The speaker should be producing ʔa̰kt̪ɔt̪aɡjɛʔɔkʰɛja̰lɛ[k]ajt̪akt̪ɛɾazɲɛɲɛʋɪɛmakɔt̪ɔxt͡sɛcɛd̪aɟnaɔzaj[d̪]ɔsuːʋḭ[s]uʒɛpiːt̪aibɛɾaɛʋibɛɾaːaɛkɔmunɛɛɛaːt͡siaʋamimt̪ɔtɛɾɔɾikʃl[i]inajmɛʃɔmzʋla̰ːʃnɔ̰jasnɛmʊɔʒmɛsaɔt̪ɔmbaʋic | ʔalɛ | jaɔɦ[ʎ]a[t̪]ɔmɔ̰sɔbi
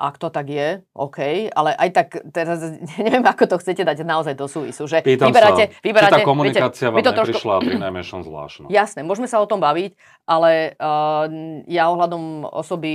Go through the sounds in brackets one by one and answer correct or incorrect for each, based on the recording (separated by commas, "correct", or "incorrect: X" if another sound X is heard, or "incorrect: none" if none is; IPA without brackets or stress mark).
incorrect: ʔ, correct, correct, incorrect: a, incorrect: l, incorrect: d̪